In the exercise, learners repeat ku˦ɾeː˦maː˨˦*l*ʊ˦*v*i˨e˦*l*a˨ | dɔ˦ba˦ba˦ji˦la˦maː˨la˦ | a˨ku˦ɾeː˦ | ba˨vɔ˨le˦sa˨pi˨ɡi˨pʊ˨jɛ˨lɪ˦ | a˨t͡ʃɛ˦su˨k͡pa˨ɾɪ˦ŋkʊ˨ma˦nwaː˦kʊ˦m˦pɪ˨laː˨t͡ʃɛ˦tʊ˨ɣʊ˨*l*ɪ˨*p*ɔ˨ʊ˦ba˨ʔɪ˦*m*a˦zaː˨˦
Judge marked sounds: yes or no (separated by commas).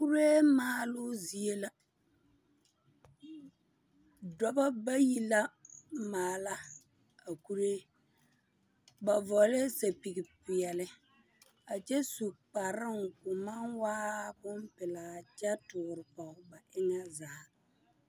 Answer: yes, no, yes, no, yes, no